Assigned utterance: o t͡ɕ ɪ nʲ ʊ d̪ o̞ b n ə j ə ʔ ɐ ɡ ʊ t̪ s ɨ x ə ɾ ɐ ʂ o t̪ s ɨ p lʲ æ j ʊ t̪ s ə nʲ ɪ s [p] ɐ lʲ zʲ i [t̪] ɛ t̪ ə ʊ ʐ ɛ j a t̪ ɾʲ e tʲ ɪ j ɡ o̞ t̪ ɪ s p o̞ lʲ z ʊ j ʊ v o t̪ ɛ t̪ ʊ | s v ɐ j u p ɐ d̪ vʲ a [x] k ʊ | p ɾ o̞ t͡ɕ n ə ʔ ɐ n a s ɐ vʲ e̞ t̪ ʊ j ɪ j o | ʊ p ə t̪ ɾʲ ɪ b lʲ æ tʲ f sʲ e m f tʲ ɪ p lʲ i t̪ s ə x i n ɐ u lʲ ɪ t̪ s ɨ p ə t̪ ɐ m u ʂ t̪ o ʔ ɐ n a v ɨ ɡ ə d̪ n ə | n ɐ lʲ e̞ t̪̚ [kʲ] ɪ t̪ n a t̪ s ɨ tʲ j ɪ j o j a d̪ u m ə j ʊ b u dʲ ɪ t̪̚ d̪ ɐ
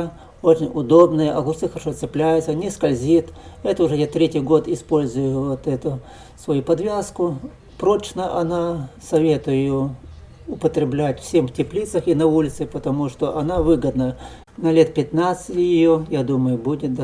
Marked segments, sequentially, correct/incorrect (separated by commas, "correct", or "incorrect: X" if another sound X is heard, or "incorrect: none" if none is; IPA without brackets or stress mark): incorrect: k, correct, incorrect: s, incorrect: pʲ